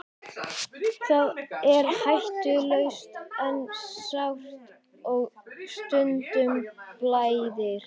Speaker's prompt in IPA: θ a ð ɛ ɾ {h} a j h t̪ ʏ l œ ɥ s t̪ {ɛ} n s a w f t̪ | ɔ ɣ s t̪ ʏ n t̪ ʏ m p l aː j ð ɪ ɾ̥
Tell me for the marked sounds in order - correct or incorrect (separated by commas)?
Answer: correct, correct